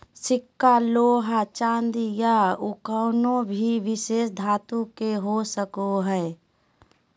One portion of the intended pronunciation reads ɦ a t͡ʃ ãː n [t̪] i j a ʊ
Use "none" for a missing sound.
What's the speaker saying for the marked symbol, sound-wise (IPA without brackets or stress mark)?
d̪